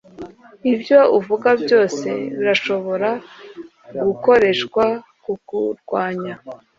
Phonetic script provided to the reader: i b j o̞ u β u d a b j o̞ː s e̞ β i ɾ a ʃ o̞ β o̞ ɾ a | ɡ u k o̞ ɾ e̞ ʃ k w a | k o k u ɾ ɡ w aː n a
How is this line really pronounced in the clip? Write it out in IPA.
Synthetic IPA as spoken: i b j o̞ u v u ɡ a b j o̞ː s e̞ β i ɾ a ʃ o̞ β o̞ ɾ a | ɡ u k o̞ ɾ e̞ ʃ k w a | k u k u ɾ ɡ w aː ɲ a